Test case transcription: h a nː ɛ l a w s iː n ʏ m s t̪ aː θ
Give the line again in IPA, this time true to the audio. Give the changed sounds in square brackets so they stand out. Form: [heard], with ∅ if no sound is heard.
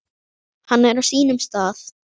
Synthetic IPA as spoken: h a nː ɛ [ɾ] a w s iː n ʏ m s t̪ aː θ